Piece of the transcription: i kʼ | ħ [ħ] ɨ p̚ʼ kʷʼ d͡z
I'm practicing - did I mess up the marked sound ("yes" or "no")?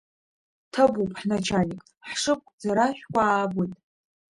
yes